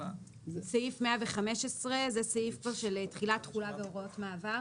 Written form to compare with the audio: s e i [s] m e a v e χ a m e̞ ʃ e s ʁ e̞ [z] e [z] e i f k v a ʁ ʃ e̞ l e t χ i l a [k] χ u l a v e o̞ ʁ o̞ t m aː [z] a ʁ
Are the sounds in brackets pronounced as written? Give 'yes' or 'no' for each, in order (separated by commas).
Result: no, yes, no, no, no